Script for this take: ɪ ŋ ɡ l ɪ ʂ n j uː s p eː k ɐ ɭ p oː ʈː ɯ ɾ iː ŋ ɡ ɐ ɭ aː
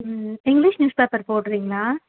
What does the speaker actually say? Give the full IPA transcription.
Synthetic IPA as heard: ɪ ŋ ɡ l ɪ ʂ n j uː s p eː p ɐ ɾ p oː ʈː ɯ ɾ iː ŋ ɡ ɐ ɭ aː